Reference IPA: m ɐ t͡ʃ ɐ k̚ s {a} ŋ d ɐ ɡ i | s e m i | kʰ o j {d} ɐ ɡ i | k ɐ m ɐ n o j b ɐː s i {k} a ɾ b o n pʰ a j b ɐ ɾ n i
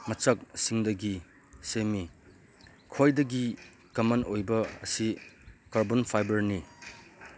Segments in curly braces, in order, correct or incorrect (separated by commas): incorrect, correct, correct